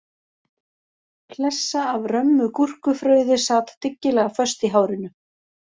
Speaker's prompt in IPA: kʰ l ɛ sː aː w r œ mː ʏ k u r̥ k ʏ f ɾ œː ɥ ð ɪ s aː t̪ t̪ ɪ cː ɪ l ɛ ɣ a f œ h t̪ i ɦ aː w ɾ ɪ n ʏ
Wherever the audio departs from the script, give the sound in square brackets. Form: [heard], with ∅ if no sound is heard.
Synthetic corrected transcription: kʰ l ɛ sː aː [v] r œ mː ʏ k u r̥ k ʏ f ɾ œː ɥ ð ɪ s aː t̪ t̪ ɪ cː ɪ l ɛ ɣ a f œ [s] t̪ i ɦ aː w ɾ ɪ n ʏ